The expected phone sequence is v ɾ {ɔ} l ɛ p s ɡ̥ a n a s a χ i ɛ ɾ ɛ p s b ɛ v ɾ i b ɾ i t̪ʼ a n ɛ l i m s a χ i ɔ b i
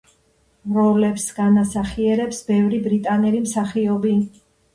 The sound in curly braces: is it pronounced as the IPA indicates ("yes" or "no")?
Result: yes